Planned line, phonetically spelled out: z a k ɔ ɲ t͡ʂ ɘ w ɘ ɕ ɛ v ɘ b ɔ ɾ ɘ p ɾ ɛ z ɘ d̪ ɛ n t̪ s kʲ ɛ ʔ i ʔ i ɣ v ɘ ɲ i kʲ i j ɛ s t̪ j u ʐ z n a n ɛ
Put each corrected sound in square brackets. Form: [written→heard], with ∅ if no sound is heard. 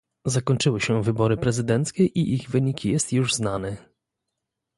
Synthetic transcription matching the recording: z a k ɔ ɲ t͡ʂ ɘ w ɘ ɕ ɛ v ɘ b ɔ ɾ ɘ p ɾ ɛ z ɘ d̪ ɛ n t̪ s kʲ ɛ ʔ i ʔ i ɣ v ɘ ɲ i kʲ i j ɛ s t̪ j u ʐ z n a n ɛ